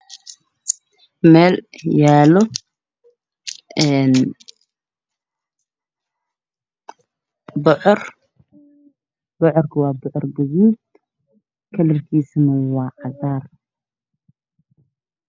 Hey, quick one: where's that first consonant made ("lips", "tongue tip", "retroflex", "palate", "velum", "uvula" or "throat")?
lips